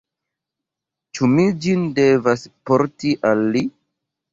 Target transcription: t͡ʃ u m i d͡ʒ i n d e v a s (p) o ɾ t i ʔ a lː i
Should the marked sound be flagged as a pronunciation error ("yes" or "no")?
no